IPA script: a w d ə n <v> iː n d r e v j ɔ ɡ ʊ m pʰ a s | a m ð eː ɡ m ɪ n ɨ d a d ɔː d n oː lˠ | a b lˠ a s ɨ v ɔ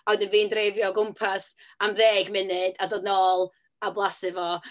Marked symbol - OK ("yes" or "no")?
yes